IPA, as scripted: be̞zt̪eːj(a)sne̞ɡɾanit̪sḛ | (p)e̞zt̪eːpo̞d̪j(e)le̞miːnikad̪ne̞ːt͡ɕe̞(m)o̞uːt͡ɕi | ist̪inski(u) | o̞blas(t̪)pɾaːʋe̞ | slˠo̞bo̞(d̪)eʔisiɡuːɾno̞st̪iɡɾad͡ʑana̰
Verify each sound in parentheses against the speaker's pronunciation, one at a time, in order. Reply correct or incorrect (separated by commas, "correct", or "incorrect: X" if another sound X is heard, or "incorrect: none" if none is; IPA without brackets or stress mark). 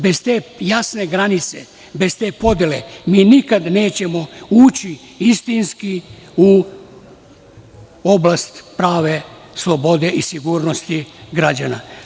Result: correct, incorrect: b, correct, correct, correct, correct, correct